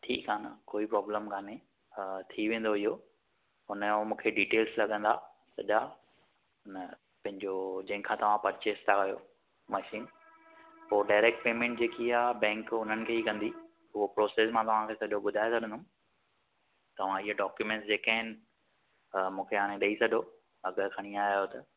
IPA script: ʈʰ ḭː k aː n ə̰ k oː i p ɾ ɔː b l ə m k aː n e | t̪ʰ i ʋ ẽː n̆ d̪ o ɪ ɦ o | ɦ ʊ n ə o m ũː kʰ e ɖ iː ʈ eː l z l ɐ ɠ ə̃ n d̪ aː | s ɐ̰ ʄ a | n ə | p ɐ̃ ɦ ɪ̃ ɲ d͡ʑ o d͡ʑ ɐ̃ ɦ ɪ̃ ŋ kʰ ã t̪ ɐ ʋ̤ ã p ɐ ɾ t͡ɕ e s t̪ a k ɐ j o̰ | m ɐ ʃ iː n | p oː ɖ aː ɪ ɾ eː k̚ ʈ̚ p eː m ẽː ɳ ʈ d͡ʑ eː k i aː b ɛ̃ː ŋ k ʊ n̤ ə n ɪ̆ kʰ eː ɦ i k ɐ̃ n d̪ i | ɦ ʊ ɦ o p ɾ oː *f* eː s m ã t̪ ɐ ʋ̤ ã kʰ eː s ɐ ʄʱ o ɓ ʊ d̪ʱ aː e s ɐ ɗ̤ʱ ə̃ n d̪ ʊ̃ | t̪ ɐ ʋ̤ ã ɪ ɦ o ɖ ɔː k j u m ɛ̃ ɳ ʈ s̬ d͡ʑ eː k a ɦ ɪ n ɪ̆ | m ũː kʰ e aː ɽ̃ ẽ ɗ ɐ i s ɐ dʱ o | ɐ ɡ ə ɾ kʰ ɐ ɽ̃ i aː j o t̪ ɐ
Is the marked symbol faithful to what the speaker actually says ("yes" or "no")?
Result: no